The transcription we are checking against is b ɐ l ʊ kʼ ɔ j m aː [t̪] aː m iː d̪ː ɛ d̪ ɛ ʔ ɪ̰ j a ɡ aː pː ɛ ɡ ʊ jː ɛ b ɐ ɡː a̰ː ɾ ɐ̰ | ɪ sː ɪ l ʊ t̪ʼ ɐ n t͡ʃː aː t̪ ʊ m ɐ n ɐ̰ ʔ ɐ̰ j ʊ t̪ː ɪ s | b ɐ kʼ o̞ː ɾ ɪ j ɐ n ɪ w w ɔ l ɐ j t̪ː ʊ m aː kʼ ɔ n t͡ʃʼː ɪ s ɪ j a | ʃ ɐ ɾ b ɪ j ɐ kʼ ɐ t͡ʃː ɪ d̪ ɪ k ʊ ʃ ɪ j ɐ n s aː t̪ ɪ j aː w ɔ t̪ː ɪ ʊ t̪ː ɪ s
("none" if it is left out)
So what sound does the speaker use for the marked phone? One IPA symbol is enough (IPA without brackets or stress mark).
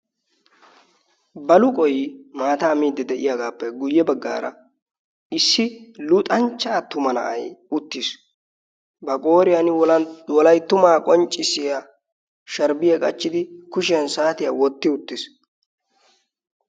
t̪